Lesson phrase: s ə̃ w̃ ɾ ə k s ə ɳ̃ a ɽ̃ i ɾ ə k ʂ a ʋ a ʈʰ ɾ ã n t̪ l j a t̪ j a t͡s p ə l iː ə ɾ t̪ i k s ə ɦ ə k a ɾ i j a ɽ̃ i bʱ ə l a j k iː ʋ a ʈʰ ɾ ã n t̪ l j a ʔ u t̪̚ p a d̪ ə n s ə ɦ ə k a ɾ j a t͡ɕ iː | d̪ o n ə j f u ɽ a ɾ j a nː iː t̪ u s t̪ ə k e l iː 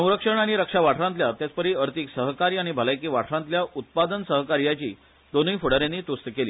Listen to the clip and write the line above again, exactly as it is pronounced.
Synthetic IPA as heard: s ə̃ w̃ ɾ ə k ʂ ə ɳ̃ a ɽ̃ i ɾ ə k ʂ a ʋ a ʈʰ ɾ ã n t̪ l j a t̪ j a t͡s p ə ɾ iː ə ɾ t̪ i k s ə ɦ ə k a ɾ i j a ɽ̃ i bʱ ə l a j k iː ʋ a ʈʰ ɾ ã n t̪ l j a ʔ u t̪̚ p a d̪ ə n s ə ɦ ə k a ɾ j a t͡ɕ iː | d̪ o n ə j f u ɽ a ɾ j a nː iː t̪ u s t̪ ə k e l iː